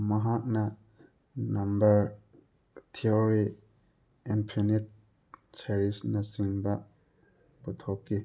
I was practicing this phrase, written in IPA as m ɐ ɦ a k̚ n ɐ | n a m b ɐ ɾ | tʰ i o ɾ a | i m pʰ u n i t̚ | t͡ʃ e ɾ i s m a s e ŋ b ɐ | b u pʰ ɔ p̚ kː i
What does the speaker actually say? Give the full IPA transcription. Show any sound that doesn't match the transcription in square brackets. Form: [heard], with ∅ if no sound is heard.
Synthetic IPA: m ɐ ɦ a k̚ n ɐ | n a m b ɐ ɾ | tʰ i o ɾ [i] | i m pʰ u n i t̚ | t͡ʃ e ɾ i s [n] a s [i] ŋ b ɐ | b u [tʰ] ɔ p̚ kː i